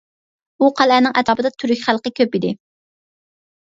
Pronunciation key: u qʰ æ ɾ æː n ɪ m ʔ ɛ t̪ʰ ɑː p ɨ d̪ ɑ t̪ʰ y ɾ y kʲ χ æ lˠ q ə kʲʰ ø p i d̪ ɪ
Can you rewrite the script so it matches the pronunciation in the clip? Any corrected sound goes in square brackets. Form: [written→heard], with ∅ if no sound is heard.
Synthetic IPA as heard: u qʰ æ [ɾ→l] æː n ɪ [m→ŋ] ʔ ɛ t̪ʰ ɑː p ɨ d̪ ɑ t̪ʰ y ɾ y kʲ χ æ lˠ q ə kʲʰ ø p i d̪ ɪ